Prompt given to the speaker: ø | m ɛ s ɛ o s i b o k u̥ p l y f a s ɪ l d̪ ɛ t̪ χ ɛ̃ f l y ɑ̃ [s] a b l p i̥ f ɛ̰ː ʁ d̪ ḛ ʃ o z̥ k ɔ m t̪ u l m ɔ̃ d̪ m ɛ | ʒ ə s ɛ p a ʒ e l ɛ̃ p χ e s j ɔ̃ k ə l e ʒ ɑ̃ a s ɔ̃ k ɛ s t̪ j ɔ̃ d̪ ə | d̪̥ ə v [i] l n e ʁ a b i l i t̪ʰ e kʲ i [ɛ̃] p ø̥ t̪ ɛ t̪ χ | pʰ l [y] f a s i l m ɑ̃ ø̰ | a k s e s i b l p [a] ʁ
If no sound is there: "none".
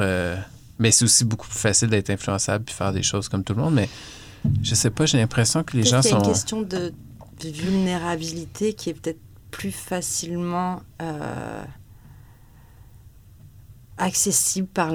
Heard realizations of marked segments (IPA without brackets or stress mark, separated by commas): s, y, ɛ, y, a